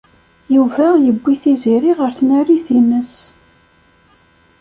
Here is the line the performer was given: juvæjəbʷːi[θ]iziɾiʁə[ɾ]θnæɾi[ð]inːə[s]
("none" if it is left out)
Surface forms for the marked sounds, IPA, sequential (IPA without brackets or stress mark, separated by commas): θ, ɾ, θ, s